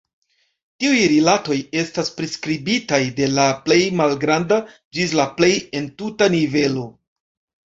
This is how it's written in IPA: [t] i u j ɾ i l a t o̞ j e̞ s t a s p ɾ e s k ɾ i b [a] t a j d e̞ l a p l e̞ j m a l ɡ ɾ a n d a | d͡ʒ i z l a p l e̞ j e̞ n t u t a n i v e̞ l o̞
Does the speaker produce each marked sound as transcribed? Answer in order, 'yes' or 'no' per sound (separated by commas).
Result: yes, no